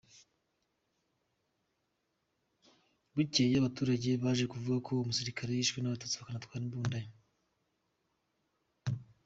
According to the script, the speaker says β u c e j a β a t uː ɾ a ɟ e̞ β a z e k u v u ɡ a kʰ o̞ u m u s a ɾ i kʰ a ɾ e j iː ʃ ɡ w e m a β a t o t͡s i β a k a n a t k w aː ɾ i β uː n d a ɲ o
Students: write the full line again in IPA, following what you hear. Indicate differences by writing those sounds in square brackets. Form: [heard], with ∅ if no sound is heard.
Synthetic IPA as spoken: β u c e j a β a t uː ɾ a ɟ e̞ β a [ʒ] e k u v u ɡ a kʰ o̞ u m u s [i] ɾ i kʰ a ɾ e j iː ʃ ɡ w e [n] a β a t o t͡s i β a k a n a t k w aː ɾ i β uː n d a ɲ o